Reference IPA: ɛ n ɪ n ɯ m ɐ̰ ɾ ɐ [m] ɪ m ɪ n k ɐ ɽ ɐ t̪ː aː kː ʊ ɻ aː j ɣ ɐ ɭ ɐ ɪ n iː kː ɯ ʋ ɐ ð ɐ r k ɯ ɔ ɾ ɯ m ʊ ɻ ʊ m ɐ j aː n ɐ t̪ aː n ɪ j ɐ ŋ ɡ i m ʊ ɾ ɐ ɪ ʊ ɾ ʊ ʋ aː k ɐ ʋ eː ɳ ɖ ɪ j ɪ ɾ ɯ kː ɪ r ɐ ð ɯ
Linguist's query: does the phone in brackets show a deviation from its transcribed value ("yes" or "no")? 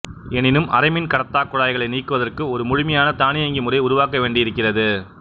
yes